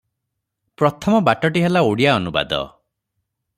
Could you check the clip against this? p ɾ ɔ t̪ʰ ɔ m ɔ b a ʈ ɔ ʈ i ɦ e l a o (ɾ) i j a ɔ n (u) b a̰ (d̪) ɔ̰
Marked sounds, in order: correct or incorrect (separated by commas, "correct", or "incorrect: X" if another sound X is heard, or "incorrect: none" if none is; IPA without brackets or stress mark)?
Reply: incorrect: ɽ, correct, correct